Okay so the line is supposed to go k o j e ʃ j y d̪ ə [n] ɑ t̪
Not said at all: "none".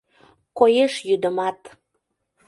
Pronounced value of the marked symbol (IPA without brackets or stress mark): m